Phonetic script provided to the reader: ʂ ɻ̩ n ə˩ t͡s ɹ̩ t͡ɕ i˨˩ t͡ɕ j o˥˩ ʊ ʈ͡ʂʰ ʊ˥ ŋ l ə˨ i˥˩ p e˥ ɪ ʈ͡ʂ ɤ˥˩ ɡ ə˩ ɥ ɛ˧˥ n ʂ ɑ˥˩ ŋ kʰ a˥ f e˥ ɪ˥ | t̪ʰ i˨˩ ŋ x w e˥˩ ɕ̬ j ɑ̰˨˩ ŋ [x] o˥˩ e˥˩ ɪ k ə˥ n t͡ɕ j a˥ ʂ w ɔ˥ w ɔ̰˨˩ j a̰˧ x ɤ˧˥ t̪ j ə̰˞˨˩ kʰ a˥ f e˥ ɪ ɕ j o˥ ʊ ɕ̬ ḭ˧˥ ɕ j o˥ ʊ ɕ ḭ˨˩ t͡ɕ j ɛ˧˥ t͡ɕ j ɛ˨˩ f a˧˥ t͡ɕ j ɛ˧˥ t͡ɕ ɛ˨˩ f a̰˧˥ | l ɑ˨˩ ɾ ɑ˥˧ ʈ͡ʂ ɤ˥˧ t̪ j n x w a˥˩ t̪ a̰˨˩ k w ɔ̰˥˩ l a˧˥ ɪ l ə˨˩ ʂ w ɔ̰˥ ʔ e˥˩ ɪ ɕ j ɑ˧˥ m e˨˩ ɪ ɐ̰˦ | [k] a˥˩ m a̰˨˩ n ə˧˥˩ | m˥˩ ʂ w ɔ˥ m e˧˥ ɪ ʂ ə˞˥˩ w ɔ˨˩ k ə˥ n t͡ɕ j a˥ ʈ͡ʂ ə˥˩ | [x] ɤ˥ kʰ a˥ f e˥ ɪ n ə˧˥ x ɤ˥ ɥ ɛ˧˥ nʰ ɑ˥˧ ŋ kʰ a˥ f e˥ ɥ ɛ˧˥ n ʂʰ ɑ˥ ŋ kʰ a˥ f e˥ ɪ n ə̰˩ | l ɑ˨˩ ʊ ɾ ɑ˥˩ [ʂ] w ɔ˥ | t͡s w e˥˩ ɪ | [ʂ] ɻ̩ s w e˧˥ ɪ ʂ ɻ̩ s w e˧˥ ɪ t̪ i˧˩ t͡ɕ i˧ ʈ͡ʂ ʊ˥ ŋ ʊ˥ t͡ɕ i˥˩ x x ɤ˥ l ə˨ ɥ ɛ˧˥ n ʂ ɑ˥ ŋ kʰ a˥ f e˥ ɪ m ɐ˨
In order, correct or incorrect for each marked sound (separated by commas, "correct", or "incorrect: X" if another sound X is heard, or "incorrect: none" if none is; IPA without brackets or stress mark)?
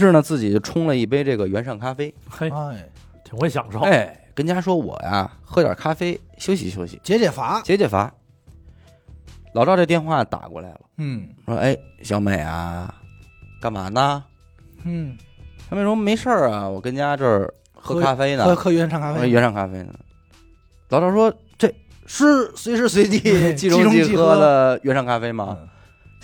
incorrect: ʂ, correct, correct, correct, correct